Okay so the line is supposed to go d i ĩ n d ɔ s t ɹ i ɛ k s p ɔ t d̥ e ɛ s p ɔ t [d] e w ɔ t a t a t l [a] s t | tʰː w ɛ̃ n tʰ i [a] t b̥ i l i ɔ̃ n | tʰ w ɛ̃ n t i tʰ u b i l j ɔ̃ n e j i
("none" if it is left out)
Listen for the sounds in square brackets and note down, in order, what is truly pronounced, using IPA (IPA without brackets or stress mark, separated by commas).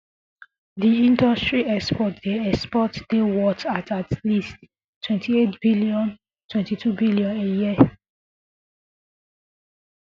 d, i, e